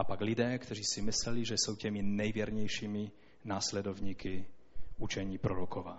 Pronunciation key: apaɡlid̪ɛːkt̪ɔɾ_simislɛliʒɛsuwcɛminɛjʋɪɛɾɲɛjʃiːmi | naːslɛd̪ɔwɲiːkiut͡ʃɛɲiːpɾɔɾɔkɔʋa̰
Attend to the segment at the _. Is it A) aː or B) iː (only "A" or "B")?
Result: B